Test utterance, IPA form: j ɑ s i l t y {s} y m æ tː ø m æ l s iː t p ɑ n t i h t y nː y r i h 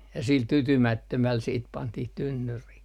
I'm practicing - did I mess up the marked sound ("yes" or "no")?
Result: yes